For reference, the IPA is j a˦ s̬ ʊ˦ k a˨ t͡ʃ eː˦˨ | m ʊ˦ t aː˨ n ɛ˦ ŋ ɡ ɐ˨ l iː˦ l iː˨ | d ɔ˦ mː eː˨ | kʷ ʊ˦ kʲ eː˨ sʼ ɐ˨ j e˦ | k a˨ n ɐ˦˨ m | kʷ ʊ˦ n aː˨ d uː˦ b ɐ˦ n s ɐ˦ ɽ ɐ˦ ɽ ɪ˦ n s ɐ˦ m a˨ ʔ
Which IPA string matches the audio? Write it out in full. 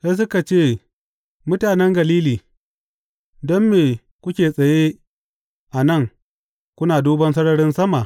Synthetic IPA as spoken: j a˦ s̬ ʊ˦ k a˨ t͡ʃ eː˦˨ | m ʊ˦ t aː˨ n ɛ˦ ŋ ɡ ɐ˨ l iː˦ l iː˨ | d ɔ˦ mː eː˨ | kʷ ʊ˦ kʲ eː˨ sʼ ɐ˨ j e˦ | ʔ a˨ n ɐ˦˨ ŋ | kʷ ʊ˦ n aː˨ d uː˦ b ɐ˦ n s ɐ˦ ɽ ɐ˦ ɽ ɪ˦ n s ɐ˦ m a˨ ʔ

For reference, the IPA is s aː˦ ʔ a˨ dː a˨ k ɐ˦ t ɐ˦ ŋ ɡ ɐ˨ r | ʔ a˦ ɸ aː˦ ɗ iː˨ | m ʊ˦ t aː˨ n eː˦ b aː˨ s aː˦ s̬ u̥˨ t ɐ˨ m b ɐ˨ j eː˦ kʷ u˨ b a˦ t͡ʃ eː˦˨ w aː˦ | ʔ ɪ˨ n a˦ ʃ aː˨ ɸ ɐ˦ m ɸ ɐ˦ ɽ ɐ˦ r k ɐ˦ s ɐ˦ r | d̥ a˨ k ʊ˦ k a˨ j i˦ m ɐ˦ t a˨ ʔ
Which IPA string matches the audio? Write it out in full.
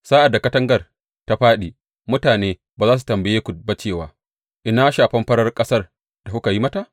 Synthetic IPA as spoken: s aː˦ ʔ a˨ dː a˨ k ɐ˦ t ɐ˦ ŋ ɡ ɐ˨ r | t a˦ ɸ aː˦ ɗ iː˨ | m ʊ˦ t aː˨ n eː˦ b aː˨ z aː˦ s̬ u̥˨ t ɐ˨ m b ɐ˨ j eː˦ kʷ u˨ b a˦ t͡ʃ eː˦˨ w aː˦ | ʔ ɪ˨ n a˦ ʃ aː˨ ɸ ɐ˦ m ɸ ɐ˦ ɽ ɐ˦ r kʼ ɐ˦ s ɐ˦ r | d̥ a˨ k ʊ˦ k a˨ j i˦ m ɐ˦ t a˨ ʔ

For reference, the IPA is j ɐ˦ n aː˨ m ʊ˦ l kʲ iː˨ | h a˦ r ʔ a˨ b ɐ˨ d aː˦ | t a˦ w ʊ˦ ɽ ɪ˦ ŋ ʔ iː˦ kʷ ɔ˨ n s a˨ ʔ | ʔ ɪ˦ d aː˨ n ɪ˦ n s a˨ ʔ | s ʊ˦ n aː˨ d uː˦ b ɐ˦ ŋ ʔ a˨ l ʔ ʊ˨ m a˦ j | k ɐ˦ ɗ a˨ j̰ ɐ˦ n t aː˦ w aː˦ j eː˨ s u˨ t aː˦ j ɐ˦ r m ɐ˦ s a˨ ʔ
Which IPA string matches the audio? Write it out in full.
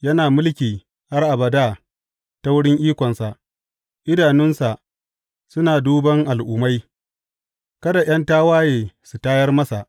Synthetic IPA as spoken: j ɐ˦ n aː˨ m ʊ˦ l kʲ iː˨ | h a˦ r ʔ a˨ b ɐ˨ d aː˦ | t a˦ w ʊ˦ ɽ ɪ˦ ŋ ʔ iː˦ kʷ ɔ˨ n s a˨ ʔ | ʔ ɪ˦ d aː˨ n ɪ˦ n s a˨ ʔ | s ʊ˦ n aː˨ d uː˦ b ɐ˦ ŋ ʔ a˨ l ʔ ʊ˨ m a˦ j | k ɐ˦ d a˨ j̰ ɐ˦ n t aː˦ w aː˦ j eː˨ s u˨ t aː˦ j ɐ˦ r m ɐ˦ s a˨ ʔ

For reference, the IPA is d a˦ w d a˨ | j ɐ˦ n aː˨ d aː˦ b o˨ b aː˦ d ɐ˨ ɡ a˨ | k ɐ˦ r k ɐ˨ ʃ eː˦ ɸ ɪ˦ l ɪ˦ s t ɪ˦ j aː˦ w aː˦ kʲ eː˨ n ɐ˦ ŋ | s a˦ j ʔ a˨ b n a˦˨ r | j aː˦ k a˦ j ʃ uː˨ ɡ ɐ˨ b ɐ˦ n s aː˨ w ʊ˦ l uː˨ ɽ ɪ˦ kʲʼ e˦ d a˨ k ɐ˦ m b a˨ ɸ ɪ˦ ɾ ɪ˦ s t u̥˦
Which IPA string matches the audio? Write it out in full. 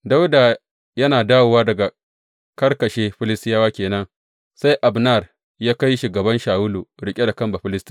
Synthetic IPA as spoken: d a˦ w d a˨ | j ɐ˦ n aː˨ d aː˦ w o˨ w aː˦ d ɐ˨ ɡ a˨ | k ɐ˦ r k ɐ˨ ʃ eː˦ ɸ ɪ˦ l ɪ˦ s t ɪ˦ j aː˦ w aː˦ kʲ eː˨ n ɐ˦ ŋ | s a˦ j ʔ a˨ b n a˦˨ r | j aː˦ k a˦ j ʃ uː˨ ɡ ɐ˨ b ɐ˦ n ʃ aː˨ w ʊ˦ l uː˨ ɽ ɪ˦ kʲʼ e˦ d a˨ k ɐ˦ m b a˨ ɸ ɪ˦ l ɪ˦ s t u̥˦

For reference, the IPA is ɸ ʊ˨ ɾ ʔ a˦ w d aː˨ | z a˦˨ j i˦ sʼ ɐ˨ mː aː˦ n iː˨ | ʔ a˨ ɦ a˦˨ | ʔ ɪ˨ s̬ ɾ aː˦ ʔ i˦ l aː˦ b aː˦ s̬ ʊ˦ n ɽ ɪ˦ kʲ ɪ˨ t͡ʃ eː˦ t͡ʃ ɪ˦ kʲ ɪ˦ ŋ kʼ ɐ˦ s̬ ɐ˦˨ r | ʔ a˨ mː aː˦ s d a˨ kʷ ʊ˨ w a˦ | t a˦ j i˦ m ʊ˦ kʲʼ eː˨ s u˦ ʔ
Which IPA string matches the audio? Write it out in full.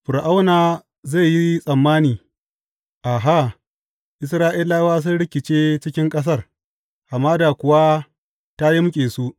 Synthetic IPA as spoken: ɸ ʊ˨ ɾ ʔ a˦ w n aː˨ | z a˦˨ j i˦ sʼ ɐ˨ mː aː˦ n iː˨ | ʔ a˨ ɦ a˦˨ | ʔ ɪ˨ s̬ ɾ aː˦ ʔ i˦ l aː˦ w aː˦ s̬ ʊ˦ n ɽ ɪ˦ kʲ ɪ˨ t͡ʃ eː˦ t͡ʃ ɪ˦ kʲ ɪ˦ ŋ kʼ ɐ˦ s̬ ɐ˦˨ r | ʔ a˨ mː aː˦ d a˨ kʷ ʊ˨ w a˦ | t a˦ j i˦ m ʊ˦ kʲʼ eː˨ s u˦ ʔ

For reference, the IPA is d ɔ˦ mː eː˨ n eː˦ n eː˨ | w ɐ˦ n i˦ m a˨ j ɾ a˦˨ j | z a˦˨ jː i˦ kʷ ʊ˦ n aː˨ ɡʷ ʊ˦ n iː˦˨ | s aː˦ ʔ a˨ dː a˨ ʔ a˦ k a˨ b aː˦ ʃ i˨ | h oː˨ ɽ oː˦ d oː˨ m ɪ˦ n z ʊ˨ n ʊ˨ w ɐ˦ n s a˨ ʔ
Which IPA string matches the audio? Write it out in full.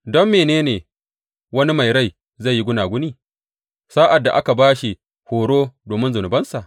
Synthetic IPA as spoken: d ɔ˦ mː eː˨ n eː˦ n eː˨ | w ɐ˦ n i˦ m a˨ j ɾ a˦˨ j | z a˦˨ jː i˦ ɡʷ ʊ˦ n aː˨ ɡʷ ʊ˦ n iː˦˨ | s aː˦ ʔ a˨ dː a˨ ʔ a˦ k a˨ b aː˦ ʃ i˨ | h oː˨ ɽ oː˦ d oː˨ m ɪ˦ n z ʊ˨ n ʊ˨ b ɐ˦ n s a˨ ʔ

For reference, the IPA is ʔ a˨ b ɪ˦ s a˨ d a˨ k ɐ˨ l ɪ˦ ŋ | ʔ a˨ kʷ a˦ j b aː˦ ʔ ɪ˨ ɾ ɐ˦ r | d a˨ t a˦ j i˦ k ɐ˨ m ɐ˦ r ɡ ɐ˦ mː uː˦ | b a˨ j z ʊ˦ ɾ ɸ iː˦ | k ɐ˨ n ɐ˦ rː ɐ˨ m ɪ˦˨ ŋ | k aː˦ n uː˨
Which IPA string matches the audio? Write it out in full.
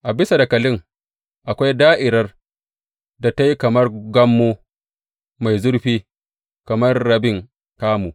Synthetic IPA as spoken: ʔ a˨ b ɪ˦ s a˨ d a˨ k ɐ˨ l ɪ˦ ŋ | ʔ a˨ kʷ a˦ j d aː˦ ʔ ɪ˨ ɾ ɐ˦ r | d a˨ t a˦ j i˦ k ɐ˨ m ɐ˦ r ɡ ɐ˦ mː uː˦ | m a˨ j z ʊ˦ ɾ ɸ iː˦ | k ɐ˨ m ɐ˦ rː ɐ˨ b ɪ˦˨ ŋ | k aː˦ m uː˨

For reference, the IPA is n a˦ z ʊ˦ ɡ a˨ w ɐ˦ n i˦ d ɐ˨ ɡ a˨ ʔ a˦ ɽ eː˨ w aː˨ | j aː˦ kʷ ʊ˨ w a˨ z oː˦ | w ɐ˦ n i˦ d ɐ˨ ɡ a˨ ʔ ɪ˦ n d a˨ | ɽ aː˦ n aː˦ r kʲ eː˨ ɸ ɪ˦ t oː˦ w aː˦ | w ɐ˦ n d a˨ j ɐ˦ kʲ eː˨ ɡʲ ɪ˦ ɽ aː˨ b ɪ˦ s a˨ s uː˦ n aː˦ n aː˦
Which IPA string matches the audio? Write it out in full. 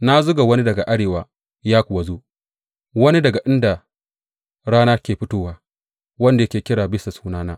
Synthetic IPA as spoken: n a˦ z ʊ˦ ɡ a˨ w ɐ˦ n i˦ d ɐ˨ ɡ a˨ ʔ a˦ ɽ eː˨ w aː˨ | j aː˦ kʷ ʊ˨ w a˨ z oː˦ | w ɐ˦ n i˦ d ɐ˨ ɡ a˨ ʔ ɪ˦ n d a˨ | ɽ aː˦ n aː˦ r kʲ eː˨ ɸ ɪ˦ t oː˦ w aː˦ | w ɐ˦ n d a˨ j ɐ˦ kʲ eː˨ kʲ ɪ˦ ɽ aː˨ b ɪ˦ s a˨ s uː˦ n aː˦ n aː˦

